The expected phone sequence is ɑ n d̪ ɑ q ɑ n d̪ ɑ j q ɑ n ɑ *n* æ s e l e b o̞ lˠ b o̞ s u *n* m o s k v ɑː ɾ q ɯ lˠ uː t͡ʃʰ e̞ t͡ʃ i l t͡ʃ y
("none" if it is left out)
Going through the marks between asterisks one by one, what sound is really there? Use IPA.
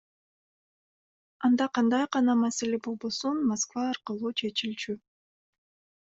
m, n

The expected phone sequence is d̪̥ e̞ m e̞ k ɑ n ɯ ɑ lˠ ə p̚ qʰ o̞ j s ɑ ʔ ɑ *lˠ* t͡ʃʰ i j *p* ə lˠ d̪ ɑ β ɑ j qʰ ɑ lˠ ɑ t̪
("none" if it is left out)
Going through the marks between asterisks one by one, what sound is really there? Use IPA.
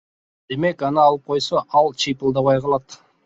lˠ, p

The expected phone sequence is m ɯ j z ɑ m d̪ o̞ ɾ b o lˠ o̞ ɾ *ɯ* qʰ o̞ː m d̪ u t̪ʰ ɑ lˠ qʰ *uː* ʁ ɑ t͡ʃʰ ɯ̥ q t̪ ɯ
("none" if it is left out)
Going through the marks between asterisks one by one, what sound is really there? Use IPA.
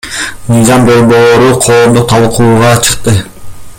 u, uː

